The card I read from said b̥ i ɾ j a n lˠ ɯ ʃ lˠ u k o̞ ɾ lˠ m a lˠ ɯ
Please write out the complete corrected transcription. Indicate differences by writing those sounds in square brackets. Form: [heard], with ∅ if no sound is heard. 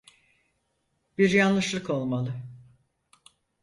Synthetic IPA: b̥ i ɾ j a n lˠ ɯ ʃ lˠ [ɯ] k o̞ [∅] lˠ m a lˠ ɯ

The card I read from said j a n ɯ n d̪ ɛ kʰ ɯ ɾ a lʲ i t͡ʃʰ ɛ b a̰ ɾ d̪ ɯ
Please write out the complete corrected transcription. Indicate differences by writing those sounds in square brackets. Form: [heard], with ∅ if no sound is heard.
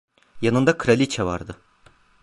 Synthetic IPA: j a n ɯ n d̪ [a] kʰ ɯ ɾ a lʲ i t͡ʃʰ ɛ [v] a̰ ɾ d̪ ɯ

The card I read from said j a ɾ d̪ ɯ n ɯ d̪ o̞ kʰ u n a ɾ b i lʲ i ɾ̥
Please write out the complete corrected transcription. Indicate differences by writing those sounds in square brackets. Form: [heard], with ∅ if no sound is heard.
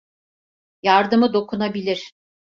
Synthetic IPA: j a ɾ d̪ ɯ [m] ɯ d̪ o̞ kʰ u n a [∅] b i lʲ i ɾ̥

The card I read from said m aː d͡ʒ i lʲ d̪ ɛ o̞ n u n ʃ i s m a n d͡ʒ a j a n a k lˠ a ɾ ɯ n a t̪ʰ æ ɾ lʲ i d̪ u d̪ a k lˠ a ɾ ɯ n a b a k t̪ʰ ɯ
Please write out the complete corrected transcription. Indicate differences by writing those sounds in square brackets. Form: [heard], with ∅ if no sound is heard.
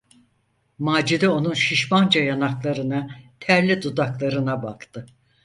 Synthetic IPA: m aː d͡ʒ i [∅] d̪ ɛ o̞ n u n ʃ i [ʃ] m a n d͡ʒ a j a n a k lˠ a ɾ ɯ n a t̪ʰ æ ɾ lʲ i d̪ u d̪ a k lˠ a ɾ ɯ n a b a k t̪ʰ ɯ

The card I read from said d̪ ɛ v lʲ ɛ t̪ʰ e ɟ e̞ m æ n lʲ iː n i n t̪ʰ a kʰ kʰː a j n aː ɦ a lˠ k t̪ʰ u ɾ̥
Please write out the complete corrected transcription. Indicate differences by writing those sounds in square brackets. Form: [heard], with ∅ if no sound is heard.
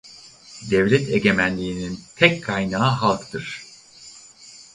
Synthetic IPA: d̪ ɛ v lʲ ɛ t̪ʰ e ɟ e̞ m æ n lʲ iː n i n t̪ʰ [ɛ] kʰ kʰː a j n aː ɦ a lˠ k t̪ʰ [ɯ] ɾ̥

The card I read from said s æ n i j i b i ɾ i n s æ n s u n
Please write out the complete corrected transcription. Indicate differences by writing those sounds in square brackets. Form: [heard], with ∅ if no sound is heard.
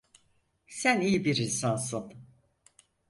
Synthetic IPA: s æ n i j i b i ɾ i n s [a] n s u n

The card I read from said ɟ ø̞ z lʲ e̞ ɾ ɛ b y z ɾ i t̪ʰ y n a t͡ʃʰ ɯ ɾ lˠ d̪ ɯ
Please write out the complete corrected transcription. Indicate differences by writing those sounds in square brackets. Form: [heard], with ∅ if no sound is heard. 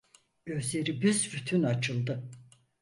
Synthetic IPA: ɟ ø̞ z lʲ e̞ ɾ [i] b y z ɾ [y] t̪ʰ y n a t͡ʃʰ ɯ [∅] lˠ d̪ ɯ

